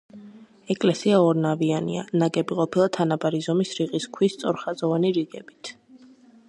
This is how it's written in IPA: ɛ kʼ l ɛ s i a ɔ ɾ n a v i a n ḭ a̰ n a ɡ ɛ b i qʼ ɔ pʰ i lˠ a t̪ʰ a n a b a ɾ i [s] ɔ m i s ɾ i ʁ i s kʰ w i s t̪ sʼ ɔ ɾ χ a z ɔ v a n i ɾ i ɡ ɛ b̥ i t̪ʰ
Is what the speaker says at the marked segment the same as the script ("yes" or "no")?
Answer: no